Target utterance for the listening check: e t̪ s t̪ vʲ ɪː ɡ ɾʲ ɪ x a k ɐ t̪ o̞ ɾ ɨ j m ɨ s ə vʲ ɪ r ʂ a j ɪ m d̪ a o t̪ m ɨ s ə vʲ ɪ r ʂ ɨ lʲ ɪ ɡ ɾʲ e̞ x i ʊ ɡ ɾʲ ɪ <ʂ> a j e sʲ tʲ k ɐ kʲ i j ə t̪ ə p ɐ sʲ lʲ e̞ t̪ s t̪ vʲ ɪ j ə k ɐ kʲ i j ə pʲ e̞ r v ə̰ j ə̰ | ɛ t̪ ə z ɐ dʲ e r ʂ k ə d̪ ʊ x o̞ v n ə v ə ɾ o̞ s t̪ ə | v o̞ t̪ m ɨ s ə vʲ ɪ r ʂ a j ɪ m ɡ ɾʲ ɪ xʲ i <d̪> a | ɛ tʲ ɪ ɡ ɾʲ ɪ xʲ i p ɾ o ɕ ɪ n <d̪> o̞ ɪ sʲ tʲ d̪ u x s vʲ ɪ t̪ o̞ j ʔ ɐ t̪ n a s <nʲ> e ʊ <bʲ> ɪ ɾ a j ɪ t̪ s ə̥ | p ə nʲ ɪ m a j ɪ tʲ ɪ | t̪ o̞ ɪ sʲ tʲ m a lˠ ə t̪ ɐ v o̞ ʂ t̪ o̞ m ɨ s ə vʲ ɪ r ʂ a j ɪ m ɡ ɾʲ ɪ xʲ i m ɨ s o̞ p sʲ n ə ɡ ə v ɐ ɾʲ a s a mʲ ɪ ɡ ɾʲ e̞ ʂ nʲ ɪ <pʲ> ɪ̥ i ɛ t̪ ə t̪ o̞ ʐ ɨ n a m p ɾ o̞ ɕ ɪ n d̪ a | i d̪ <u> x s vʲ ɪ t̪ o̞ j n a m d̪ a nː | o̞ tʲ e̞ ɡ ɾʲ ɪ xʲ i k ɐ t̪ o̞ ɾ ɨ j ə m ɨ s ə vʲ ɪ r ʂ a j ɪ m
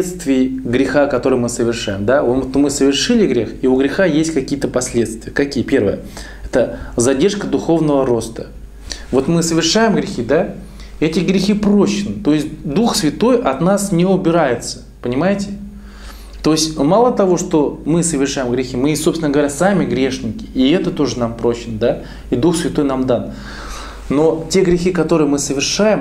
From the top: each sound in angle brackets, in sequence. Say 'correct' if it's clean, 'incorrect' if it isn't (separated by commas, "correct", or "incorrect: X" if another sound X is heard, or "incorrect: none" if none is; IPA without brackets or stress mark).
incorrect: x, correct, incorrect: t̪, correct, correct, incorrect: kʲ, correct